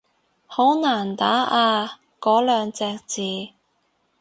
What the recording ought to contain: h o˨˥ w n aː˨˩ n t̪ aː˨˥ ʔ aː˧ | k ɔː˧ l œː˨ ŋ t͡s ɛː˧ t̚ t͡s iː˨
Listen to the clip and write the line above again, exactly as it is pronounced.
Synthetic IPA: h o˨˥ w n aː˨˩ n t̪ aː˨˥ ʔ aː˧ | k ɔː˨˥ l œː˨ ŋ t͡s ɛː˧ k̚ t͡s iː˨